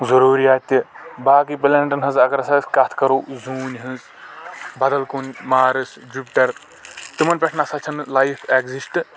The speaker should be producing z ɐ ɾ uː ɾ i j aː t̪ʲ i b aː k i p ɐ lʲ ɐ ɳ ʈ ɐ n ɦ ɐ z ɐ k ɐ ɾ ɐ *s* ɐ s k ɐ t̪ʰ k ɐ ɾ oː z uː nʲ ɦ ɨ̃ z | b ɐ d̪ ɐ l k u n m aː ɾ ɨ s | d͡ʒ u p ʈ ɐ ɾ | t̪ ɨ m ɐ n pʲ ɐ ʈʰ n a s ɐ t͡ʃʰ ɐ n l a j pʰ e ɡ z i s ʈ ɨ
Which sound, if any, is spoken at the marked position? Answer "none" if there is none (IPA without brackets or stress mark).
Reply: s